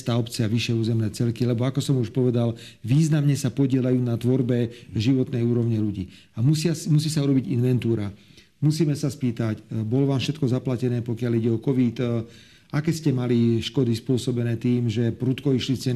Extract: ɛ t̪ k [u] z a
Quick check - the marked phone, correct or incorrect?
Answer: incorrect